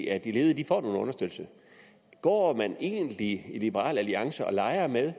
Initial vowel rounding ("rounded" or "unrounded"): unrounded